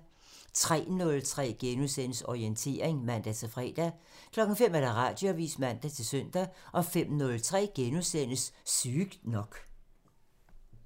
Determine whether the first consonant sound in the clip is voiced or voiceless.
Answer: voiceless